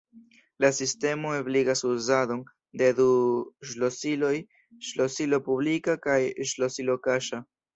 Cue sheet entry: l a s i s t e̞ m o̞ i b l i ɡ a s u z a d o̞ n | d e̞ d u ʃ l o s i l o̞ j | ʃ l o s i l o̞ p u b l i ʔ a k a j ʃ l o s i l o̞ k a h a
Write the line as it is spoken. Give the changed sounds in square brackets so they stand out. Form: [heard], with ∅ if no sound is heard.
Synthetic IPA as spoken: l a s i s t e̞ m o̞ [e] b l i ɡ a s u z a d o̞ n | d e̞ d u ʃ l o s i l o̞ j | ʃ l o s i l o̞ p u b l i [k] a k a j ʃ l o s i l o̞ k a [ʃ] a